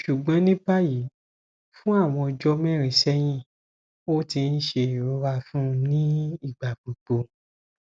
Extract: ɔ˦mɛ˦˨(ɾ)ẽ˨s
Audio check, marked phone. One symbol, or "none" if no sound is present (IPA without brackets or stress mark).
ɾ